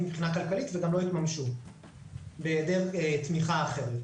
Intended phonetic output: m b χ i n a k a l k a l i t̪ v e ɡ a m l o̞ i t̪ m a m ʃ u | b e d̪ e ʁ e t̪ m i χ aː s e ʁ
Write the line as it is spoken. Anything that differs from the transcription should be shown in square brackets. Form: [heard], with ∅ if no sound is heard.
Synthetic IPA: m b χ i n a k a l k a l i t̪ v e ɡ a m l o̞ i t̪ m a m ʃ u | b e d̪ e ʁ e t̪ m i χ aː [χ] e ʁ